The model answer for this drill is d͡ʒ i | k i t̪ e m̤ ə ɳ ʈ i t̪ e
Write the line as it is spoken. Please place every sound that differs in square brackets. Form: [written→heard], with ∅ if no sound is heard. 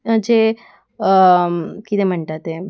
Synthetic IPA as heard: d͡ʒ [i→e] | k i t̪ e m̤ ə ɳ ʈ [i→a] t̪ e

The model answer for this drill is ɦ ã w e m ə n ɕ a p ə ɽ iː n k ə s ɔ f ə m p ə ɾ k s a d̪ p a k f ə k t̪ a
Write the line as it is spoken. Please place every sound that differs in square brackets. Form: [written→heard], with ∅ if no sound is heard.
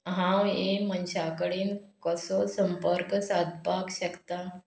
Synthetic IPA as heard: ɦ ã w e m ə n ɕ a [p→k] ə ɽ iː n k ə s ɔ [f→s] ə m p ə ɾ k s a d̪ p a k [f→ɕ] ə k t̪ a

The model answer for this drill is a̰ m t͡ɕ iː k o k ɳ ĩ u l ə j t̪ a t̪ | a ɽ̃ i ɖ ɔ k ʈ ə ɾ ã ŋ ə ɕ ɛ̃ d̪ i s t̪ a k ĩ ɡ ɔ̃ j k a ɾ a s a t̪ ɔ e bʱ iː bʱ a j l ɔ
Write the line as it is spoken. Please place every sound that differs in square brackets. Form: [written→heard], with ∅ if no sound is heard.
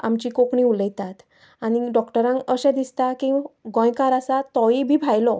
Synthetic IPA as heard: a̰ m t͡ɕ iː k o k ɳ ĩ u l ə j t̪ a t̪ | a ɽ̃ i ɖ ɔ k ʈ ə ɾ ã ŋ ə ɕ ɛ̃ d̪ i s t̪ a k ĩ ɡ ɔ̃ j k a ɾ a s a t̪ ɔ [e→i] bʱ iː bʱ a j l ɔ

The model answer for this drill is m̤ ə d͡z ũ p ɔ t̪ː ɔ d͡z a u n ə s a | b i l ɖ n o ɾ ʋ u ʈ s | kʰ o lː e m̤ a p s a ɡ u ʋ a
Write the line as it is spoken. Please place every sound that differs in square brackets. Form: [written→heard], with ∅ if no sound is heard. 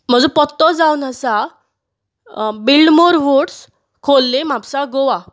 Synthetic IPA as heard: m̤ ə d͡z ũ p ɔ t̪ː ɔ d͡z a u n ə s a | b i l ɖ [n→m] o ɾ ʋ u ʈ s | kʰ o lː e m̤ a p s a ɡ [u→o] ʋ a

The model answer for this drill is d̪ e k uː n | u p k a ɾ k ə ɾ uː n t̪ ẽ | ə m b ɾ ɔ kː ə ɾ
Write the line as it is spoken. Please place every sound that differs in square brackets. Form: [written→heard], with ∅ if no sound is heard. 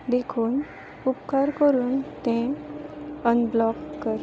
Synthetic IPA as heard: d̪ e [k→kʰ] uː n | u p k a ɾ k ə ɾ uː n t̪ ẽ | ə [m→n] b [ɾ→l] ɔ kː ə ɾ

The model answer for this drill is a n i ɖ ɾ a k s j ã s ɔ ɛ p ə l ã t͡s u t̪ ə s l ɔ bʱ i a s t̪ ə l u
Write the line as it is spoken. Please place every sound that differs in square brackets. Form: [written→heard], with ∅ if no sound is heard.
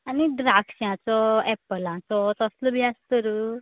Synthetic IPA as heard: a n i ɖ ɾ a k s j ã [s→t͡s] ɔ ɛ p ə l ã t͡s [u→ɔ] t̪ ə s l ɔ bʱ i a s t̪ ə [l→ɾ] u

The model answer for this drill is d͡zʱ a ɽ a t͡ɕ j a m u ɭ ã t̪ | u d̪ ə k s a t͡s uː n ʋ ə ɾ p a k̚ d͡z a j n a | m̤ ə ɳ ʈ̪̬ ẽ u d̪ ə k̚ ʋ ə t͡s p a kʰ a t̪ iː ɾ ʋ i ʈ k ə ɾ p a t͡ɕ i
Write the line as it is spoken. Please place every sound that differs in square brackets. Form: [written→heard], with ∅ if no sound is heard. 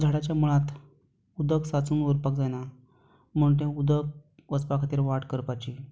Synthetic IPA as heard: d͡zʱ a ɽ a t͡ɕ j a m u ɭ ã t̪ | u d̪ ə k s a t͡s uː n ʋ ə ɾ p a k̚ d͡z a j n a | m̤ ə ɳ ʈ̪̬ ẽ u d̪ ə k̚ ʋ ə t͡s p a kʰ a t̪ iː ɾ ʋ [i→a] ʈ k ə ɾ p a t͡ɕ i

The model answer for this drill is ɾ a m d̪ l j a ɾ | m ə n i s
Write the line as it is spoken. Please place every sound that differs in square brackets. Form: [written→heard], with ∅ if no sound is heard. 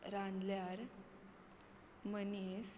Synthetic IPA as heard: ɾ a [m→n] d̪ l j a ɾ | m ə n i s

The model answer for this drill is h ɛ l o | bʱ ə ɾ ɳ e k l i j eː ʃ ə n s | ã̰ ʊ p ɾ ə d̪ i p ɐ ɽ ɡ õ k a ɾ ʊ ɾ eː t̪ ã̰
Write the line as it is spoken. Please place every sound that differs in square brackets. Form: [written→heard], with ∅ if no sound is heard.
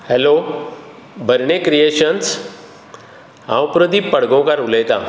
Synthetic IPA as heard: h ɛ l o | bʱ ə ɾ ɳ e k [l→ɾ] i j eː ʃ ə n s | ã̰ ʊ p ɾ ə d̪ i p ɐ ɽ ɡ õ k a ɾ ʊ [ɾ→l] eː t̪ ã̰

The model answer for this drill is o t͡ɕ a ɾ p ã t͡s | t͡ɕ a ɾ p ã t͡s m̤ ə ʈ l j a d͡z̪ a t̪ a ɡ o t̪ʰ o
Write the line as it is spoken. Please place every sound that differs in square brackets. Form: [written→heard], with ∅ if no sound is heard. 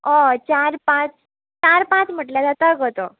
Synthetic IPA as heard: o t͡ɕ a ɾ p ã t͡s | t͡ɕ a ɾ p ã t͡s m̤ ə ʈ l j a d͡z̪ a t̪ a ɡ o [t̪ʰ→t̪] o

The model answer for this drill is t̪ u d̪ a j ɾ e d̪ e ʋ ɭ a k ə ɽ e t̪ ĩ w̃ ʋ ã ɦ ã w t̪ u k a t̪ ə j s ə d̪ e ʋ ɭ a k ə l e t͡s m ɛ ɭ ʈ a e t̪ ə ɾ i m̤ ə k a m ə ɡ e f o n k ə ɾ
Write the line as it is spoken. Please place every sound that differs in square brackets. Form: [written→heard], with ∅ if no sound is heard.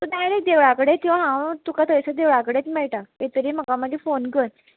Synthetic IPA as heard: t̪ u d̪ a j ɾ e d̪ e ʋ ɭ a k ə ɽ e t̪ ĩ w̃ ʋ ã ɦ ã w t̪ u k a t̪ ə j s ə d̪ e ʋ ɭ a k ə [l→ɽ] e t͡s m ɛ ɭ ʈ a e t̪ ə ɾ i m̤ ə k a m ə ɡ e f o n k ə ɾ

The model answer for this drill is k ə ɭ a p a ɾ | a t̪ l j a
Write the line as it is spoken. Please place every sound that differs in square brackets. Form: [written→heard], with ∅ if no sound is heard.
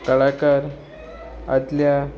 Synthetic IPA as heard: k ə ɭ a [p→k] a ɾ | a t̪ l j a

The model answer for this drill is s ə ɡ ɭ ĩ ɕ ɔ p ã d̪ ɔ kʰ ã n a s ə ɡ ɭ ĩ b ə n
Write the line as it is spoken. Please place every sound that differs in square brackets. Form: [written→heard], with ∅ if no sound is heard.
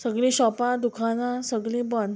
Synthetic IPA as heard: s ə ɡ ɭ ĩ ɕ ɔ p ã d̪ [ɔ→u] kʰ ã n a s ə ɡ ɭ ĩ b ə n

